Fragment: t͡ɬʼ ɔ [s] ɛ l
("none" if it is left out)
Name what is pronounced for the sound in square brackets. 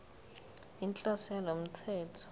s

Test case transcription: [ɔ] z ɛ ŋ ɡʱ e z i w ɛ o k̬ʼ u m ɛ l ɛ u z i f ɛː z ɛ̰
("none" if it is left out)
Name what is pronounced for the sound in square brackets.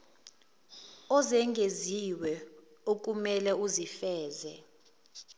ɔ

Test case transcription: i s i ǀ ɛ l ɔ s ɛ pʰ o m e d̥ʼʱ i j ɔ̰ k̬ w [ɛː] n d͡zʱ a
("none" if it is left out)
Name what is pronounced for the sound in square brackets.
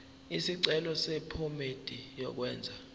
ɛː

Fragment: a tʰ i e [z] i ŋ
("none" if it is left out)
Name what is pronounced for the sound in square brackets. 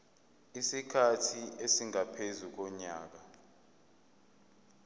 s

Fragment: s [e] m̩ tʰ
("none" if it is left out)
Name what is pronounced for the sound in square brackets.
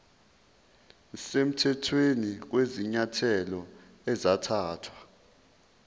e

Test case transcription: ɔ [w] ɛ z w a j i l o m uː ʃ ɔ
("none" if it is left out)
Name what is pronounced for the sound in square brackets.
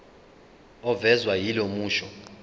v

